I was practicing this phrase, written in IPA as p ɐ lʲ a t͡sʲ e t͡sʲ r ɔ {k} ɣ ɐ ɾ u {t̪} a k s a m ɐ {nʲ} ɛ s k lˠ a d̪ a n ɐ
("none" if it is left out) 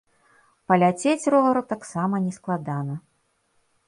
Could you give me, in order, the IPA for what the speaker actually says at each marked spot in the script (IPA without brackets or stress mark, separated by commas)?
none, t̪, nʲ